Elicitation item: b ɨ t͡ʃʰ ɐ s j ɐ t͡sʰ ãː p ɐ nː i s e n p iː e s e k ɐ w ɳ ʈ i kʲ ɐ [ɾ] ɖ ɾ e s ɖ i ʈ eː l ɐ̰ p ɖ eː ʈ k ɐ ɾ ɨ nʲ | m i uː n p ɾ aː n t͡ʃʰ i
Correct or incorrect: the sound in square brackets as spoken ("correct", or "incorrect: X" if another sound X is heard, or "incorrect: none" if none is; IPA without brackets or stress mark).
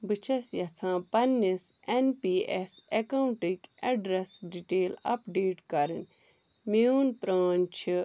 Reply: incorrect: none